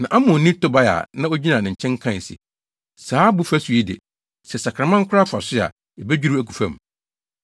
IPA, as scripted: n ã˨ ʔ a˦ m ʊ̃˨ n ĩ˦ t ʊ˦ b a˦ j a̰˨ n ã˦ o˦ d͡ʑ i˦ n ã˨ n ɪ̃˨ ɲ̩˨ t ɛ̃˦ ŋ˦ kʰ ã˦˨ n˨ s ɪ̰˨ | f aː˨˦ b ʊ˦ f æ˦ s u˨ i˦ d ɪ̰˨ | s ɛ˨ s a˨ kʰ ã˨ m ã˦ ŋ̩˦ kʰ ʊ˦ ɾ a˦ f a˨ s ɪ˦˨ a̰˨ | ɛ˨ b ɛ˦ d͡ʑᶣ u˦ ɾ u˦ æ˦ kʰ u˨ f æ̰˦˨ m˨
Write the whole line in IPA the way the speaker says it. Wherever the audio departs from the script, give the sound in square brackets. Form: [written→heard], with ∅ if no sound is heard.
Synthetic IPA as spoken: n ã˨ ʔ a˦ m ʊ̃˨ n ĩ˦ t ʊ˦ b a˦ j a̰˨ n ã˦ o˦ d͡ʑ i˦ n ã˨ n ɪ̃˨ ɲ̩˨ [t→t͡ɕʰ] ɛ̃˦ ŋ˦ kʰ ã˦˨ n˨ s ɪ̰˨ | [f→s] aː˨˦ b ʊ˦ f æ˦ s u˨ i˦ d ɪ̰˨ | s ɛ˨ s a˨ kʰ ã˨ m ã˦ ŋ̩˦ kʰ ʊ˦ ɾ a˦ f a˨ s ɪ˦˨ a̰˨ | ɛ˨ b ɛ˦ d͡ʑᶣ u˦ ɾ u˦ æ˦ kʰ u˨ f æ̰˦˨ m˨